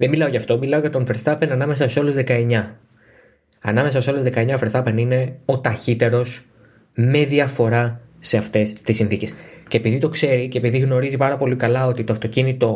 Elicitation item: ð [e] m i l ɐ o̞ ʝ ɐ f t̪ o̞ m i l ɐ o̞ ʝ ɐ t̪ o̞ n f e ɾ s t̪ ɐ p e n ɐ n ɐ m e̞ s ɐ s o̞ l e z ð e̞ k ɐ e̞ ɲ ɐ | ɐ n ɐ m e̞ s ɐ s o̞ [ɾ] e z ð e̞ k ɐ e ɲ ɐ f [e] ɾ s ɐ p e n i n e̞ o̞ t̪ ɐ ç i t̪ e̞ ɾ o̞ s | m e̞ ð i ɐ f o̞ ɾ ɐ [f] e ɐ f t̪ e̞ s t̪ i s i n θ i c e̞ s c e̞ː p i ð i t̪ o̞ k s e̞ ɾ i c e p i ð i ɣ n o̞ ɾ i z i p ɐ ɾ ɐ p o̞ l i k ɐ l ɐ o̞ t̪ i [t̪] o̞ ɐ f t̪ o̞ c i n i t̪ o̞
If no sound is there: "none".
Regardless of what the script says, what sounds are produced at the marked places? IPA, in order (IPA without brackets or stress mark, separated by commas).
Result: e, l, e, s, t̪